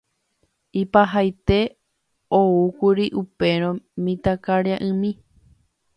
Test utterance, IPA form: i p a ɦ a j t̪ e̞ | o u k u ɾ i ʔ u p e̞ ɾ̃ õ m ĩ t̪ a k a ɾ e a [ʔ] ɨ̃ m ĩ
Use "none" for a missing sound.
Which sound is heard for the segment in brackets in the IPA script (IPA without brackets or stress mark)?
ʔ